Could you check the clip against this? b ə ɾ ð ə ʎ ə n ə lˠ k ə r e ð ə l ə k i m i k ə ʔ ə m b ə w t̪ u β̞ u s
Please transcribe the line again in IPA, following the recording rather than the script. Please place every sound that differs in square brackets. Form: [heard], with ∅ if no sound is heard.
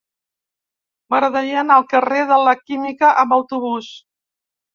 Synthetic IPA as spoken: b ə ɾ ð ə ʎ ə n ə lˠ k ə r e ð ə l ə k i m i k ə ʔ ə m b ə w t̪ u β̞ u s